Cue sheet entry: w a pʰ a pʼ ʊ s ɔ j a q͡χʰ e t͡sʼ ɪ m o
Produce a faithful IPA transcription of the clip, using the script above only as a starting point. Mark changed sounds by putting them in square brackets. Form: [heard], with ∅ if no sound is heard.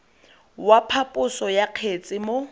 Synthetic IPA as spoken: w a pʰ a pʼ ʊ s ɔ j a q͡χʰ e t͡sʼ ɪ m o

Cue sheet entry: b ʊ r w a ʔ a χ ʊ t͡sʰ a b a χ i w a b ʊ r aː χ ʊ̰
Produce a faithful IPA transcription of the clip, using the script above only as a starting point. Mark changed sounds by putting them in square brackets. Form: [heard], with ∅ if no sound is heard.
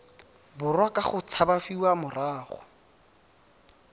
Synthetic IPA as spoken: b ʊ r w a [k] a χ ʊ t͡sʰ a b a [f] i w a [m] ʊ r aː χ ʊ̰

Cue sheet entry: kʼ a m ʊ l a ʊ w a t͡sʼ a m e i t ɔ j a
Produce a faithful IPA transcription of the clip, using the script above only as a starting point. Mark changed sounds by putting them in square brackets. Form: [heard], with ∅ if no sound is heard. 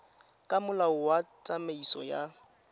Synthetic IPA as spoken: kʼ a m ʊ l a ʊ w a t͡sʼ a m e i [s] ɔ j a

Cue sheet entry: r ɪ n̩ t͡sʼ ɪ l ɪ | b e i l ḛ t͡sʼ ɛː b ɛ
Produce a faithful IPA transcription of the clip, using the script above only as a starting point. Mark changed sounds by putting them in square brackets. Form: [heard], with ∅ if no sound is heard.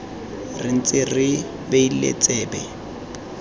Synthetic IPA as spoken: r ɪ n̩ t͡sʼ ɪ [r] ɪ | b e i l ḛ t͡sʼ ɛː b ɛ

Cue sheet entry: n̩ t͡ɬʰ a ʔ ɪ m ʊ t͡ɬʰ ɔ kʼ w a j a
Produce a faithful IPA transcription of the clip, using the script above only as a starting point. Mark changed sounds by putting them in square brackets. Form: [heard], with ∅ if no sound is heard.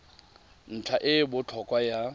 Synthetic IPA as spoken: n̩ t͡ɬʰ a ʔ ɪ [b] ʊ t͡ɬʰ ɔ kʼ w a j a

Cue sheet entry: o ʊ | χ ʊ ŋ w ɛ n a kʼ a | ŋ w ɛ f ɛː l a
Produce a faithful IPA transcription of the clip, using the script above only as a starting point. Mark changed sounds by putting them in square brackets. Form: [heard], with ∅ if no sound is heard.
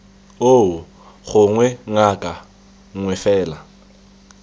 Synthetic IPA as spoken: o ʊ | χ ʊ ŋ w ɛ [ŋ] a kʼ a | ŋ w ɛ f ɛː l a

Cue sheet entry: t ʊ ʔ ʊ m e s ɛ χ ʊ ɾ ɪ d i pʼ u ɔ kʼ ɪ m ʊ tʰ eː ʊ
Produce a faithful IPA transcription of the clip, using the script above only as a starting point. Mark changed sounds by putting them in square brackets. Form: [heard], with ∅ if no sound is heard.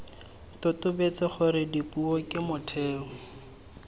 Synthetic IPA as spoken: t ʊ [t] ʊ [b] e [t͡s] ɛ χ ʊ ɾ ɪ d i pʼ u ɔ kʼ ɪ m ʊ tʰ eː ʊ

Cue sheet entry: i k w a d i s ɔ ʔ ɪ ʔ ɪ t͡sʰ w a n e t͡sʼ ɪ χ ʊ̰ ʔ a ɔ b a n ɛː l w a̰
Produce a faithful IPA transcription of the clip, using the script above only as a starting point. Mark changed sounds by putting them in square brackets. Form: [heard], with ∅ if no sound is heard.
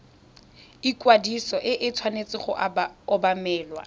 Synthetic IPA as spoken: i k w a d i s ɔ ʔ ɪ ʔ ɪ t͡sʰ w a n e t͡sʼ ɪ χ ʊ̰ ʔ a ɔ b a [m] ɛː l w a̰

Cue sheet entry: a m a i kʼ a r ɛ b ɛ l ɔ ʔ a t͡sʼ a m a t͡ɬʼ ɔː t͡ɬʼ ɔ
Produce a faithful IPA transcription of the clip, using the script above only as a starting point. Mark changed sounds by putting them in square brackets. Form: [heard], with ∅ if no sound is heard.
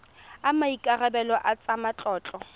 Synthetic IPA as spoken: a m a i kʼ a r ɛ b ɛ l ɔ ʔ a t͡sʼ a m a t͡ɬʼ ɔː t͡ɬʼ ɔ

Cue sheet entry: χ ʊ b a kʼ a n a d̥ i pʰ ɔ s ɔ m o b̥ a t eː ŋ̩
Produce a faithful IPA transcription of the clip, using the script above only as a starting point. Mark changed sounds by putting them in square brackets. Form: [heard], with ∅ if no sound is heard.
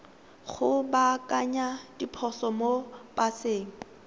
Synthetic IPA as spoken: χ ʊ b a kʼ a [ɲ] a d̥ i pʰ ɔ s ɔ m o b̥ a [s] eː ŋ̩

